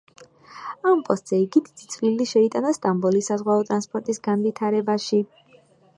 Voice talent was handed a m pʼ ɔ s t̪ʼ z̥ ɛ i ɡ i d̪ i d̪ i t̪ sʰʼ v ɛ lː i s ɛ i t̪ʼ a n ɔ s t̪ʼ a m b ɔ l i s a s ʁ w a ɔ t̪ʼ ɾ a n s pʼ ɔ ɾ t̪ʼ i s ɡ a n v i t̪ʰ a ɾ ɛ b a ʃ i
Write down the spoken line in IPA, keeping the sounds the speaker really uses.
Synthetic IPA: a m pʼ ɔ s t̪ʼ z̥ ɛ i ɡ i d̪ i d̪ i t̪ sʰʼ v i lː i ʃ ɛ i t̪ʼ a n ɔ s t̪ʼ a m b ɔ l i s a z ʁ w a ɔ t̪ʼ ɾ a n s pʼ ɔ ɾ t̪ʼ i s ɡ a n v i t̪ʰ a ɾ ɛ b a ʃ i